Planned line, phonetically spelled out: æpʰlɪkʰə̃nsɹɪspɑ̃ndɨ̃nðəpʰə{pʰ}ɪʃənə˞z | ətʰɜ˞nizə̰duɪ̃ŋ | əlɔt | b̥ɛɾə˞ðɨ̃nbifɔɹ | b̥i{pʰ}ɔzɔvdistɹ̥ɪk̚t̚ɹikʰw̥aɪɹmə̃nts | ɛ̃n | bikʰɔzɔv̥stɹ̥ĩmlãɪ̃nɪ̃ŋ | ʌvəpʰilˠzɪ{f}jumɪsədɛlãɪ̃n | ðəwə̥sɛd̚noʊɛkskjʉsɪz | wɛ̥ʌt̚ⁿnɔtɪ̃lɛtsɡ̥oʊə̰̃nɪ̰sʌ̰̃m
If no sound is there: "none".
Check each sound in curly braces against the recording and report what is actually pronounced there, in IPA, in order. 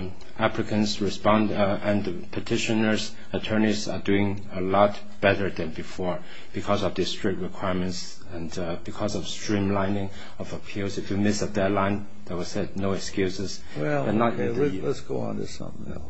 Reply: tʰ, kʰ, f

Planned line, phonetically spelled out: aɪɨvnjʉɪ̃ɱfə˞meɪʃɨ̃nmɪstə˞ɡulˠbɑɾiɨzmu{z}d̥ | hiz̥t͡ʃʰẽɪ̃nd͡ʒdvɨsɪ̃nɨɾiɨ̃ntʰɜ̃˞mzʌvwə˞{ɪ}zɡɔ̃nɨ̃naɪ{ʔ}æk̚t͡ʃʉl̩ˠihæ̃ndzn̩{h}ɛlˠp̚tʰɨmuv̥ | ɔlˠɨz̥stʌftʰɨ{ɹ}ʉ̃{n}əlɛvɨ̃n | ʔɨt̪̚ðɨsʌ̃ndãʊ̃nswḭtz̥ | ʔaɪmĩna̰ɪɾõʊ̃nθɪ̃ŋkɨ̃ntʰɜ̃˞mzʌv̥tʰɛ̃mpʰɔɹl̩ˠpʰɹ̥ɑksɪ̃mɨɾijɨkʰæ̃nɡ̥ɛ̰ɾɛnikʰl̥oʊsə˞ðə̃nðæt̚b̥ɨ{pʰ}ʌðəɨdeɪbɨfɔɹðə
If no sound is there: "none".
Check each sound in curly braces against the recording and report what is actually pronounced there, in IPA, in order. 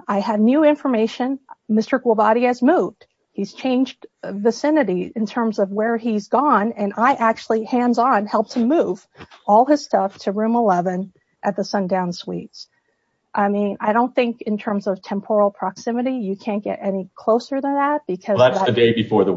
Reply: v, i, ʔ, h, ɹ, m, kʰ

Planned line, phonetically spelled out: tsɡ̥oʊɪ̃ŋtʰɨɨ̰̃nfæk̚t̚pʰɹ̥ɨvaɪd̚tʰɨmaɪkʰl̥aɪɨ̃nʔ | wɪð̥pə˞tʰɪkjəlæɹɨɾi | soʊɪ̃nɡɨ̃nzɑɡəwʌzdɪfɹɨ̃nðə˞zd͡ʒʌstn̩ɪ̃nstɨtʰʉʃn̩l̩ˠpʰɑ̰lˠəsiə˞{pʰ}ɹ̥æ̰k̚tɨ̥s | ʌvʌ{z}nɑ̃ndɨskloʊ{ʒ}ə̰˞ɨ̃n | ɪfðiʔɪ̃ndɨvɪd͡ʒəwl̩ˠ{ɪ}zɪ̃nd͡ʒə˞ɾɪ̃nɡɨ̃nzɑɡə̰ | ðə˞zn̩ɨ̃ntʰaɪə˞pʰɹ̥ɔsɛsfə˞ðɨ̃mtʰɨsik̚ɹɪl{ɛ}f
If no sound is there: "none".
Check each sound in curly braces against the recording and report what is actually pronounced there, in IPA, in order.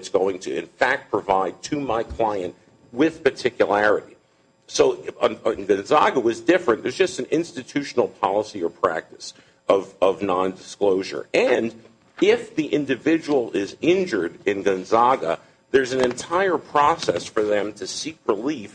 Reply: pʰ, v, ʒ, ɪ, i

